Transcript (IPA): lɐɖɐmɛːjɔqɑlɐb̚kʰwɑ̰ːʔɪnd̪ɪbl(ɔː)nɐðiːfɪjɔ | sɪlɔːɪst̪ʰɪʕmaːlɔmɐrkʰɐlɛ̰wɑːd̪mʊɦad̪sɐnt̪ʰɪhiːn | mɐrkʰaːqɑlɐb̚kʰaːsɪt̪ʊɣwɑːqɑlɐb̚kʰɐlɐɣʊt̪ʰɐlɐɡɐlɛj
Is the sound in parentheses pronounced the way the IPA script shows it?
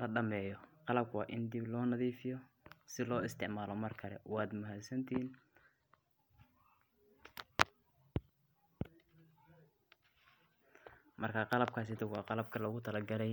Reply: yes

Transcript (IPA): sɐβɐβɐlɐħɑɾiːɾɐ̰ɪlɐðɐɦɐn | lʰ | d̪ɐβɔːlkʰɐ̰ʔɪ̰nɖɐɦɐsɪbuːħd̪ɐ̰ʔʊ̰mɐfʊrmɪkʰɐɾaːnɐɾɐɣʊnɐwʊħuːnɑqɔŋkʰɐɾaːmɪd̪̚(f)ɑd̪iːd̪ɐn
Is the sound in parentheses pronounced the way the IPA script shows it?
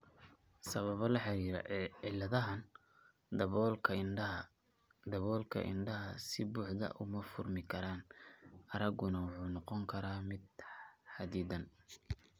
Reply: no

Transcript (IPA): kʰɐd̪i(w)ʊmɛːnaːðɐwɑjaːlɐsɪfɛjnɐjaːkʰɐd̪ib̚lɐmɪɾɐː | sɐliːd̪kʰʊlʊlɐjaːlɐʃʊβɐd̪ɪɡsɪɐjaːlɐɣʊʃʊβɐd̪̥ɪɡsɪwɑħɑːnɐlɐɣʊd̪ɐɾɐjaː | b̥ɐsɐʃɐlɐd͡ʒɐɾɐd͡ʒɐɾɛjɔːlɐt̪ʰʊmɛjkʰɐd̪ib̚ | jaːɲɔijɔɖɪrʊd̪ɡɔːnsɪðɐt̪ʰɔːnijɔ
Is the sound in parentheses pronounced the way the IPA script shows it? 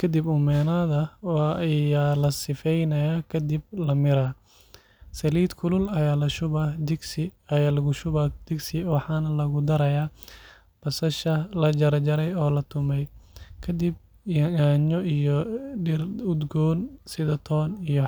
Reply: no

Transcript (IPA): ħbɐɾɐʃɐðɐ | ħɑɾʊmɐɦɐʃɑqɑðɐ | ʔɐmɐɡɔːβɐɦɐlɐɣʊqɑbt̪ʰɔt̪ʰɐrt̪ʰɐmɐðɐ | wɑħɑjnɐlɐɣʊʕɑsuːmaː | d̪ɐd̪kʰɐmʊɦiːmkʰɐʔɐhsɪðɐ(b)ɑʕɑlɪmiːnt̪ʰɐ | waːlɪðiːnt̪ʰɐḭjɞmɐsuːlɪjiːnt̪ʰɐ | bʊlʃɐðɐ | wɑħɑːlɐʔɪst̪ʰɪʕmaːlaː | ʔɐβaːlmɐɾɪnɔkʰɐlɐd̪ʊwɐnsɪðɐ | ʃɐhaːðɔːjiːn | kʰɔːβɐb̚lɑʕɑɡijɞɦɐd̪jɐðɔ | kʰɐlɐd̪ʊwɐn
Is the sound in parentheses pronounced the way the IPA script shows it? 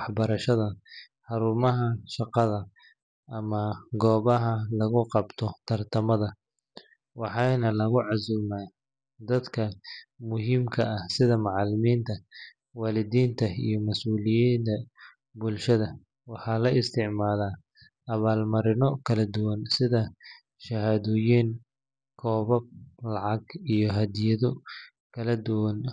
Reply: no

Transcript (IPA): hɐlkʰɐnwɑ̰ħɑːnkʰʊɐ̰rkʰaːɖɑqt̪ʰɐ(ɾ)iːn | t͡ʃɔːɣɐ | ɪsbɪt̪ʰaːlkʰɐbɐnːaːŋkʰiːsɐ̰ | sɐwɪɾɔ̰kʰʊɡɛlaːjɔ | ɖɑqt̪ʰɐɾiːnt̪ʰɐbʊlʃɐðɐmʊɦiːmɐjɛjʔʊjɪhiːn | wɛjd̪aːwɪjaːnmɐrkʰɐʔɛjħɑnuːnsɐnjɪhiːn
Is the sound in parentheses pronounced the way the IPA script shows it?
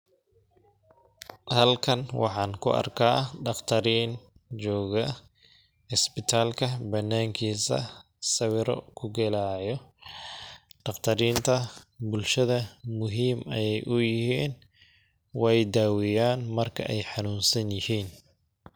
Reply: yes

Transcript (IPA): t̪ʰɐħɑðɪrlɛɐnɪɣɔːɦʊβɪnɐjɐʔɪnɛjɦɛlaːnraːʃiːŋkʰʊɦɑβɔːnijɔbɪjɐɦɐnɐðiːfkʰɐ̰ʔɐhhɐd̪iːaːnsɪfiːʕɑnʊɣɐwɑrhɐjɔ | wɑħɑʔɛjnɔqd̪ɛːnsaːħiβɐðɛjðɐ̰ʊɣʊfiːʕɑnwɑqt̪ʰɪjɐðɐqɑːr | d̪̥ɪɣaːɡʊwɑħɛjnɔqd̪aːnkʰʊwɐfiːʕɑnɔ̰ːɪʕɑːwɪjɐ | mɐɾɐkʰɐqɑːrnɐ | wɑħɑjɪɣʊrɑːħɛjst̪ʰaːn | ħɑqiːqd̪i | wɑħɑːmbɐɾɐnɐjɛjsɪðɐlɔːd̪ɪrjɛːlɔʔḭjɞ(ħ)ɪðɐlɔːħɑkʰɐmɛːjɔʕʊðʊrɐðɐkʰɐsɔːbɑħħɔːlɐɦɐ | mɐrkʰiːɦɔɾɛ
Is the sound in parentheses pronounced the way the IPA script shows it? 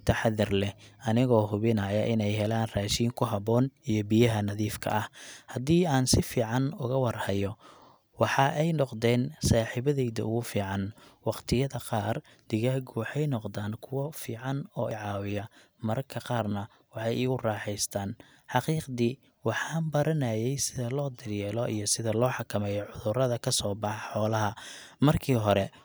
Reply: no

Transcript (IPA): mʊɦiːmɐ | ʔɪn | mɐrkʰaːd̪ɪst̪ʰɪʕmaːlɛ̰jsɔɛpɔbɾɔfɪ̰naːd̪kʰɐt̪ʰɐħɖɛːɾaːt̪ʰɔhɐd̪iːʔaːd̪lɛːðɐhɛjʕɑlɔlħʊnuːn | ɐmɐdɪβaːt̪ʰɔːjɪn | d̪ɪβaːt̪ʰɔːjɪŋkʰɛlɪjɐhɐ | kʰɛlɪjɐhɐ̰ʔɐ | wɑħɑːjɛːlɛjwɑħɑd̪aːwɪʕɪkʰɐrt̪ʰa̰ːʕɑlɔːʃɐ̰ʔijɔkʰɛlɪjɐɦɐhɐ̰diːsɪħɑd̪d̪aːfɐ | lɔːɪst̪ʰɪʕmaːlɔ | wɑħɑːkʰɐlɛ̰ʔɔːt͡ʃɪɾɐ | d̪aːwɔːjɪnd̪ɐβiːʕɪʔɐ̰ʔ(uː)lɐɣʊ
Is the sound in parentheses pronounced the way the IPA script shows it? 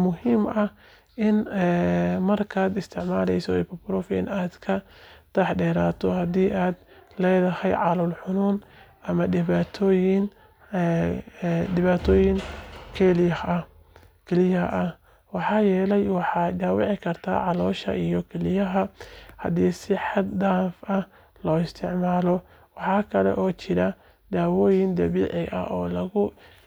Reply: no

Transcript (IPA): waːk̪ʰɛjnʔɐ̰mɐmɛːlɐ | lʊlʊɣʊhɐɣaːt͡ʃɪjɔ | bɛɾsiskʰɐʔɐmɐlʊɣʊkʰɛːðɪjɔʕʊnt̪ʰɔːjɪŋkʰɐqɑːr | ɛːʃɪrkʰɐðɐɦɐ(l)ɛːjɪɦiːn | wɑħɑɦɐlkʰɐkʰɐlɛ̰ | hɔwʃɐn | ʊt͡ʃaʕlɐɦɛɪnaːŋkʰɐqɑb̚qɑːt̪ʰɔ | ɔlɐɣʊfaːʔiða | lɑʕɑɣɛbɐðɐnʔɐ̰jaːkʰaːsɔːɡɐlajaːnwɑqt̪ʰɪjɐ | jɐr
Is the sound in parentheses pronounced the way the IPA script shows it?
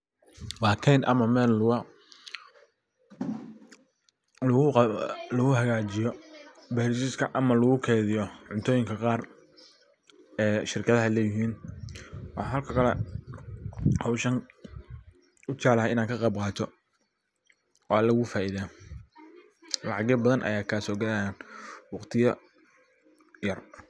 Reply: yes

